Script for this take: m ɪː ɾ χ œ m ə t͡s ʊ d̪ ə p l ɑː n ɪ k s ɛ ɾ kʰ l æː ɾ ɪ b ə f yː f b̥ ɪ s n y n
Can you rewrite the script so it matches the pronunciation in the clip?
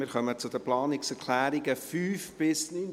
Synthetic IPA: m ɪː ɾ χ œ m ə t͡s ʊ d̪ ə p l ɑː n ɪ k s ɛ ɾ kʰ l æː ɾ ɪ ɡ ə f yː f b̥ ɪ s n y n